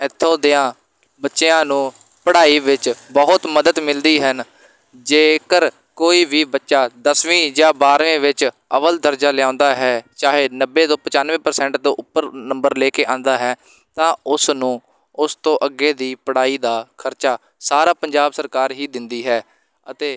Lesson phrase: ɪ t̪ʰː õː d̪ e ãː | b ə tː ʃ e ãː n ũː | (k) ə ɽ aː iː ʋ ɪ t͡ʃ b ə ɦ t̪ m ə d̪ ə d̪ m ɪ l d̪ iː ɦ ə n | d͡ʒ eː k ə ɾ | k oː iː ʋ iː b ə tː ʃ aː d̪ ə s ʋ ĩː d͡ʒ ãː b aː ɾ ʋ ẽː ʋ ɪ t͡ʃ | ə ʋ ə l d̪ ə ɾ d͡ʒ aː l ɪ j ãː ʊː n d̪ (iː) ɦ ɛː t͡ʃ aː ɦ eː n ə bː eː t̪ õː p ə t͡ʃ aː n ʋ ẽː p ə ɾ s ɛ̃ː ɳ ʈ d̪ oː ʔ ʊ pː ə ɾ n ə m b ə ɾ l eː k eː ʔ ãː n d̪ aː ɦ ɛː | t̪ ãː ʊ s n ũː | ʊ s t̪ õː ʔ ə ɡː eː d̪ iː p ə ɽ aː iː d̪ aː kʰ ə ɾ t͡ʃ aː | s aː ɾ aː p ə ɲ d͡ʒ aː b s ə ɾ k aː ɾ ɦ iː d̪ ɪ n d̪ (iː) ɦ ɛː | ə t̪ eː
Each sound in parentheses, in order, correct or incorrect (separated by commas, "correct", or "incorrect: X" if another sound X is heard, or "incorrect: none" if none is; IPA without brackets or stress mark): incorrect: p, incorrect: aː, correct